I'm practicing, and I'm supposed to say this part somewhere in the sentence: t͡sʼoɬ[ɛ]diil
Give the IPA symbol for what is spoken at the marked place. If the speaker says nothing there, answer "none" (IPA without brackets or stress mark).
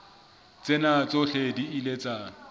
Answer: e